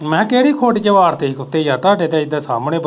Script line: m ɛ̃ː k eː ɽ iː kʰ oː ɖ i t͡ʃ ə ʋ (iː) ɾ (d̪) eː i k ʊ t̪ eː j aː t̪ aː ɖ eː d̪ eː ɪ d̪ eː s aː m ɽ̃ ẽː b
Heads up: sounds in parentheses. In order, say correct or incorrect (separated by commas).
incorrect, incorrect